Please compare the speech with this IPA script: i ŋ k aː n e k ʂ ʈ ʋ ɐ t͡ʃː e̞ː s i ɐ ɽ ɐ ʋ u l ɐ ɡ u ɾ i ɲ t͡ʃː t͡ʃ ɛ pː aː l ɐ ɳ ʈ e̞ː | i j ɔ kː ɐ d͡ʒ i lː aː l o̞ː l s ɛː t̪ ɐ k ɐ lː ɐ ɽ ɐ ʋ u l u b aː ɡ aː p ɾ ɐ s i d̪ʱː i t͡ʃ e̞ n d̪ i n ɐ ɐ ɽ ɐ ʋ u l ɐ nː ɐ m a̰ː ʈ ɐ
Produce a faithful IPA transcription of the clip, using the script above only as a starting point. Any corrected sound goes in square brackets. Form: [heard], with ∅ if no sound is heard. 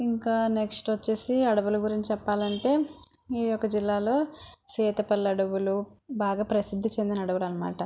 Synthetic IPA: i ŋ k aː n e k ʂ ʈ ʋ ɐ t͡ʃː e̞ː s i ɐ ɽ ɐ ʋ u l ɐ ɡ u ɾ i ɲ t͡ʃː t͡ʃ ɛ pː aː l ɐ ɳ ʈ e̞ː | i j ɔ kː ɐ d͡ʒ i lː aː l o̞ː [∅] s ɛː t̪ ɐ [p] ɐ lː ɐ ɽ ɐ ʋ u l u b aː ɡ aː p ɾ ɐ s i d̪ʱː i t͡ʃ e̞ n d̪ i n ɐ ɐ ɽ ɐ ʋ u l ɐ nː ɐ m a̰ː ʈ ɐ

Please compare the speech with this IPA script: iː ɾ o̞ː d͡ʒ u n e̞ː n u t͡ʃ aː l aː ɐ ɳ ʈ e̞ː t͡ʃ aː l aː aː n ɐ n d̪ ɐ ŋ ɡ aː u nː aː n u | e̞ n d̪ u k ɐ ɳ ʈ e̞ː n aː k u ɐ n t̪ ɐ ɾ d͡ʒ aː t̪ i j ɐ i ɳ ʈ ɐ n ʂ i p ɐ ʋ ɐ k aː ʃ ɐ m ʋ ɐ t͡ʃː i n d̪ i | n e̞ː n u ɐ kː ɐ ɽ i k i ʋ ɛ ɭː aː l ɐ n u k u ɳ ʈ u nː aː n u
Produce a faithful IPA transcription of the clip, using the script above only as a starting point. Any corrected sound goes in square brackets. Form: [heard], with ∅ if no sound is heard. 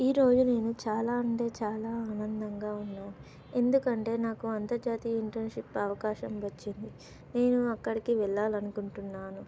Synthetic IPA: iː ɾ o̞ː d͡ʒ u n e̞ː n u t͡ʃ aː l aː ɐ ɳ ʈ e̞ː t͡ʃ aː l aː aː n ɐ n d̪ ɐ ŋ ɡ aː u nː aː n u | e̞ n d̪ u k ɐ ɳ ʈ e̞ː n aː k u ɐ n t̪ ɐ ɾ d͡ʒ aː t̪ i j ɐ i ɳ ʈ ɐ n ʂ i p ɐ ʋ ɐ k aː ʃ ɐ m ʋ ɐ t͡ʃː i n d̪ i | n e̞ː n u ɐ kː ɐ ɽ i k i ʋ ɛ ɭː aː l ɐ n u k u ɳ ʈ u nː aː n u

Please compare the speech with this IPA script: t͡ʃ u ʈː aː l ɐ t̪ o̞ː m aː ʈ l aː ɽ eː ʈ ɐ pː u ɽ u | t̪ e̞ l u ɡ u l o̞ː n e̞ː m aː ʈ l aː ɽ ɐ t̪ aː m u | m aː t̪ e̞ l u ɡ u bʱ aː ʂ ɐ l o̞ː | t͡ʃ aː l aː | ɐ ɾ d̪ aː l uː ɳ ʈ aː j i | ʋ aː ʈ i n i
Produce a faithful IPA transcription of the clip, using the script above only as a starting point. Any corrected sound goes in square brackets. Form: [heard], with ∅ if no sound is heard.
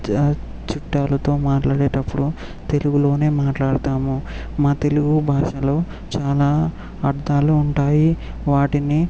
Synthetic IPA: t͡ʃ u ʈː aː l ɐ t̪ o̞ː m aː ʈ l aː ɽ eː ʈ ɐ pː u ɽ u | t̪ e̞ l u ɡ u l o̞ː n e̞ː m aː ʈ l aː ɽ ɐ t̪ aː m u | m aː t̪ e̞ l u ɡ u bʱ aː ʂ ɐ l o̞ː | t͡ʃ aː l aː | ɐ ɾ d̪ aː l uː ɳ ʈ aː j i | ʋ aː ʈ i n i

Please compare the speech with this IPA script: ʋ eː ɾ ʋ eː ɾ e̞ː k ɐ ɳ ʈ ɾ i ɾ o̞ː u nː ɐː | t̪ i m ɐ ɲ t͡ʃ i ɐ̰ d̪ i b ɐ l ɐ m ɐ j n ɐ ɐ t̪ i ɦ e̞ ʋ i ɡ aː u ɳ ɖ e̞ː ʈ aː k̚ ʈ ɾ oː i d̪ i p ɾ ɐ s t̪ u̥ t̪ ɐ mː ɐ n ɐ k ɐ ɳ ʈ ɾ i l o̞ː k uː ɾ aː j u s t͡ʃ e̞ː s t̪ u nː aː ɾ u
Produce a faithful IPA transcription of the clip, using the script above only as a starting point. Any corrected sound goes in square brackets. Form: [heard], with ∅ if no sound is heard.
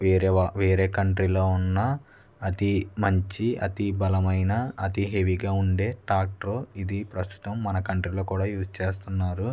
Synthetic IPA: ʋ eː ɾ ʋ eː ɾ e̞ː k ɐ ɳ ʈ ɾ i [l] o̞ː u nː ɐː | t̪ i m ɐ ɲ t͡ʃ i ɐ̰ [t̪] i b ɐ l ɐ m ɐ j n ɐ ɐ t̪ i ɦ e̞ ʋ i ɡ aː u ɳ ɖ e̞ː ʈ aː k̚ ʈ ɾ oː i d̪ i p ɾ ɐ s t̪ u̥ t̪ ɐ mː ɐ n ɐ k ɐ ɳ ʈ ɾ i l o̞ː k uː [ɽ] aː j [uː] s t͡ʃ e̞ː s t̪ u nː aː ɾ u

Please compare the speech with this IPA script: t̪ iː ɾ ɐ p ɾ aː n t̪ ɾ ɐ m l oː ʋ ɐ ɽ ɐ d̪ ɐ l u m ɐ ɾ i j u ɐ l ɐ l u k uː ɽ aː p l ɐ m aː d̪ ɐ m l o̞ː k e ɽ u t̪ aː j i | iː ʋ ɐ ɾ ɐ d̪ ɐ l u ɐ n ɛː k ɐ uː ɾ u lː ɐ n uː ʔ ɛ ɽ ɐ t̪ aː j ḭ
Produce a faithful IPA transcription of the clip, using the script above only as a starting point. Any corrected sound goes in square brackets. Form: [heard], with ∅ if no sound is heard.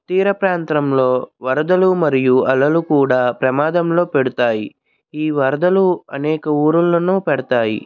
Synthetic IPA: t̪ iː ɾ ɐ p ɾ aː n t̪ ɾ ɐ m l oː ʋ ɐ [ɾ] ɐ d̪ ɐ l u m ɐ ɾ i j u ɐ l ɐ l u k uː ɽ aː p [ɾ] ɐ m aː d̪ ɐ m l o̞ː [p] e ɽ u t̪ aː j i | iː ʋ ɐ ɾ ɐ d̪ ɐ l u ɐ n ɛː k ɐ uː ɾ u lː ɐ n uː [p] ɛ ɽ ɐ t̪ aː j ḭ

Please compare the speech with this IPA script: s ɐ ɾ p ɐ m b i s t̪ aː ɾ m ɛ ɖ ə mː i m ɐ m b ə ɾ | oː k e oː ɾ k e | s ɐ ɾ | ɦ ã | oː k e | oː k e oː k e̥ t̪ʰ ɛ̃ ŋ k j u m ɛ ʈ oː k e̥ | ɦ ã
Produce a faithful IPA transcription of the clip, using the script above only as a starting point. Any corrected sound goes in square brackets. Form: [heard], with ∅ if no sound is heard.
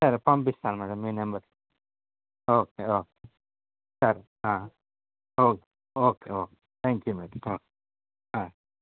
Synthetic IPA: s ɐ ɾ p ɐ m b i s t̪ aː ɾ m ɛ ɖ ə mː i [n] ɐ m b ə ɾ | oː k e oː [∅] k e | s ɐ ɾ | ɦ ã | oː k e | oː k e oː k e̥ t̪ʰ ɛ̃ ŋ k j u m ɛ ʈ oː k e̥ | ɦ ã

